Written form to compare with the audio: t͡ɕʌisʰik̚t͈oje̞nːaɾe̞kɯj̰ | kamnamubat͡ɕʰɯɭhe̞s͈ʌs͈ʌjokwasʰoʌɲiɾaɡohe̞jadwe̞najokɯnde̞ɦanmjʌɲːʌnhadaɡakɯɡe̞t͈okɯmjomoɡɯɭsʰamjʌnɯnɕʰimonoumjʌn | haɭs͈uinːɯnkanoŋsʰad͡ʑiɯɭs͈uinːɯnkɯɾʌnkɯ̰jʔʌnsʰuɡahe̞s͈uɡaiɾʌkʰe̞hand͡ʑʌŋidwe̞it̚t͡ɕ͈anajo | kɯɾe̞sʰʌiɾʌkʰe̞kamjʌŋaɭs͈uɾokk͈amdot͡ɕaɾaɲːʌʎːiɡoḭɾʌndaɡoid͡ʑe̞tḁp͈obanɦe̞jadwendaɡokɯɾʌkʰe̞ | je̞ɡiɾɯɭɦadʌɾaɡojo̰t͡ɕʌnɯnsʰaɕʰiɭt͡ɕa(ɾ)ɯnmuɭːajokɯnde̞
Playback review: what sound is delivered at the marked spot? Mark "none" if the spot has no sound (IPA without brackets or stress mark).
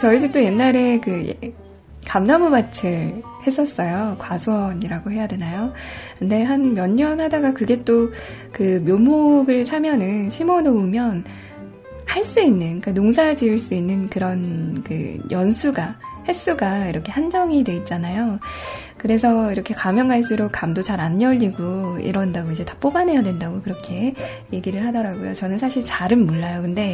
ɾ